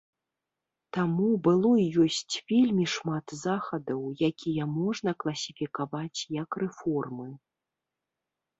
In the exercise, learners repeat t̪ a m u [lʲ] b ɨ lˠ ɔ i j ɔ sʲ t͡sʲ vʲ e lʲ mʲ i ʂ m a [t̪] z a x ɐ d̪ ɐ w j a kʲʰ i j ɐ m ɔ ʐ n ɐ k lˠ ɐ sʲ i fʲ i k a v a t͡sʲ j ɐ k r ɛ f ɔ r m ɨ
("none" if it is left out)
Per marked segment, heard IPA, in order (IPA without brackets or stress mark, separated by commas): none, t̪